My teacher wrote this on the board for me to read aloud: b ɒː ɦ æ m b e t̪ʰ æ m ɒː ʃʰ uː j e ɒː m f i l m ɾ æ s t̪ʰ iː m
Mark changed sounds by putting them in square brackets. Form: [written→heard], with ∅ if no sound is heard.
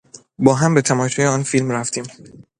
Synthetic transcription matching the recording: b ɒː ɦ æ m b e t̪ʰ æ m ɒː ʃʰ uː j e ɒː [m→n] f i l m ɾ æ [s→f] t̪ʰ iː m